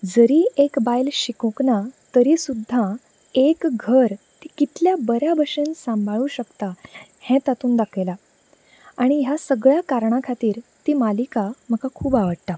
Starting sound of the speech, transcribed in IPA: d͡z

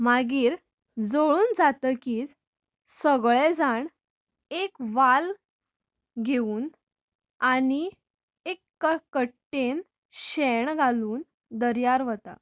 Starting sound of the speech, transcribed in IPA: m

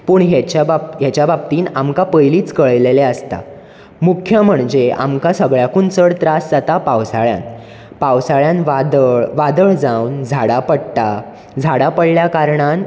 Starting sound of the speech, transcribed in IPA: p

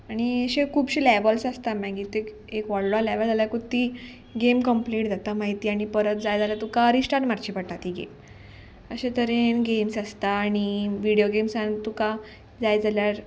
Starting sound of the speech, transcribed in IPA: a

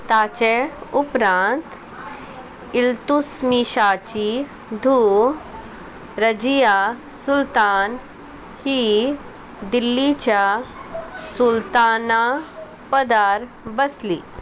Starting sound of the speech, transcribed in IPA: t̪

